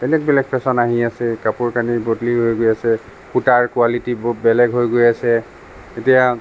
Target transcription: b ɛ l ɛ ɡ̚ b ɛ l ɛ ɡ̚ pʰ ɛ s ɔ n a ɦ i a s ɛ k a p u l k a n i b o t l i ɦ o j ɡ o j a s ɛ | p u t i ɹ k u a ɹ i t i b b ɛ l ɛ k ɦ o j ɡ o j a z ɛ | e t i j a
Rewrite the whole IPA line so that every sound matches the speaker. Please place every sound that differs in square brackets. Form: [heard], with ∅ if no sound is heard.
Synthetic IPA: b ɛ l ɛ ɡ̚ b ɛ l ɛ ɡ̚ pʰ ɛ s ɔ n a ɦ i a s ɛ k a p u [ɹ] k a n i b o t l i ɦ o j ɡ o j a s ɛ | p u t [a] ɹ k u a [l] i t i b b ɛ l ɛ [ɡ] ɦ o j ɡ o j a [s] ɛ | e t i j a